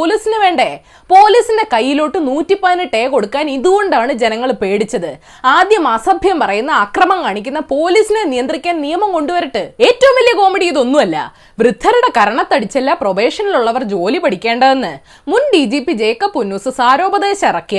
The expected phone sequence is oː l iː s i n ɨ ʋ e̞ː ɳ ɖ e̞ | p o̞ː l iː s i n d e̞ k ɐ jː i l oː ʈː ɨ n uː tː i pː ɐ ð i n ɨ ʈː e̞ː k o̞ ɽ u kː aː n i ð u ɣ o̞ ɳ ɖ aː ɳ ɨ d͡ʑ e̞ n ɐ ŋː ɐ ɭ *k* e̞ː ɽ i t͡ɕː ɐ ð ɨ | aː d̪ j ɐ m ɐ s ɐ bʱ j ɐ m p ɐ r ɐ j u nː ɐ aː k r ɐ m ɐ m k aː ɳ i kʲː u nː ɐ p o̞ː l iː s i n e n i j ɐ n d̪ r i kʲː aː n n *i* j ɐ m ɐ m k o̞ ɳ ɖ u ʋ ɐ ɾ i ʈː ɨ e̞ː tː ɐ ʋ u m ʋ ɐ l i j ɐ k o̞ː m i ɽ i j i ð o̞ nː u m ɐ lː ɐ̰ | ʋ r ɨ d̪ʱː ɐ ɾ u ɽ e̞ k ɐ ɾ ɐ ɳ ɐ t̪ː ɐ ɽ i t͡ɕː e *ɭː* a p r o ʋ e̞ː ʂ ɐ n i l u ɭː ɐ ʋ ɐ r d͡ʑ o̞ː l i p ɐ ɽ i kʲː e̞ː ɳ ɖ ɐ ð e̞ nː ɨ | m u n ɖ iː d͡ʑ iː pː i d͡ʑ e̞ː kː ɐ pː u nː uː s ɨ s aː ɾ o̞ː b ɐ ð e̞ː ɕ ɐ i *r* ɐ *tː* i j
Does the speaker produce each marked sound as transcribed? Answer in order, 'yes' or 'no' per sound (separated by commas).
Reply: no, yes, no, yes, no